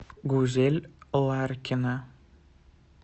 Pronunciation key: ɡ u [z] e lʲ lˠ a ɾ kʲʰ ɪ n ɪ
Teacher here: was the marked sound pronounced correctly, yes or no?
yes